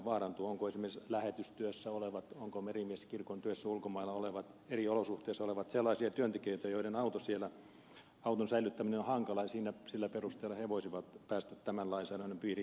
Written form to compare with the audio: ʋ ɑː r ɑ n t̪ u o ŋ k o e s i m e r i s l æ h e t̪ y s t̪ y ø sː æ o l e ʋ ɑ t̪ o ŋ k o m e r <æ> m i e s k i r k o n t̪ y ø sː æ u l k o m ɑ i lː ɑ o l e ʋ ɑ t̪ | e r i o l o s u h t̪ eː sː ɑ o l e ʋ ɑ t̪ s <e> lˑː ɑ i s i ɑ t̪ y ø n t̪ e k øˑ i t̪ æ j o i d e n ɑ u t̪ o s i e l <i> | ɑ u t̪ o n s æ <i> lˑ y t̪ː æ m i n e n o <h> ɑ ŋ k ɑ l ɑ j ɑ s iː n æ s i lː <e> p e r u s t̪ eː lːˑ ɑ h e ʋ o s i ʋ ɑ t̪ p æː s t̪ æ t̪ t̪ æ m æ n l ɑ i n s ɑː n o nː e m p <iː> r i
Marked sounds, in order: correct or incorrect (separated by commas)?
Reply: incorrect, correct, incorrect, correct, correct, incorrect, correct